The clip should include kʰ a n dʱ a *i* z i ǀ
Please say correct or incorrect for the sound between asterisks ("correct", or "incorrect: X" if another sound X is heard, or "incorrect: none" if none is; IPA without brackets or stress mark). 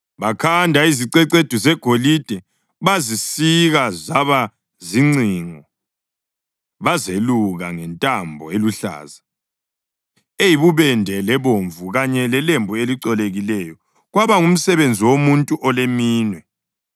correct